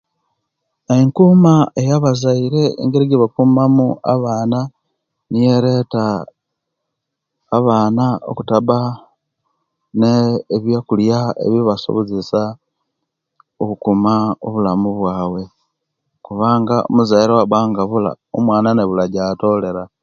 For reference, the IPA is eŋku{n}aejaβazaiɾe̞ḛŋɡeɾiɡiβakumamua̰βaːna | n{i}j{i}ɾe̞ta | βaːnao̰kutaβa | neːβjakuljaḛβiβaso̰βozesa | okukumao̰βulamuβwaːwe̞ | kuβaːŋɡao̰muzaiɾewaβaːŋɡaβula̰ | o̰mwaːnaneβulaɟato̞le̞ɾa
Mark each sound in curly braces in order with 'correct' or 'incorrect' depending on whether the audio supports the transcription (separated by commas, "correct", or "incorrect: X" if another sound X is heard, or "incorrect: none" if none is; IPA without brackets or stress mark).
incorrect: m, correct, incorrect: e